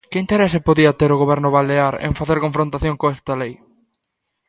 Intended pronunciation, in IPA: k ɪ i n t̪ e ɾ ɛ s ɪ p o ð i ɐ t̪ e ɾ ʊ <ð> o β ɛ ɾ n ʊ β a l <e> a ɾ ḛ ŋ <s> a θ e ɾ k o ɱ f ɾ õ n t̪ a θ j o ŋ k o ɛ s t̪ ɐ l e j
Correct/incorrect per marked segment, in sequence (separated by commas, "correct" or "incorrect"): incorrect, correct, incorrect